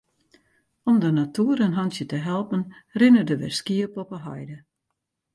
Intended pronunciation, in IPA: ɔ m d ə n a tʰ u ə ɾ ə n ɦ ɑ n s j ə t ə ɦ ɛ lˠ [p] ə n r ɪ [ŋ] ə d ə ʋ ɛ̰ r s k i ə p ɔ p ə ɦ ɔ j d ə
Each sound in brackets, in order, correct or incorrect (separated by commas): correct, incorrect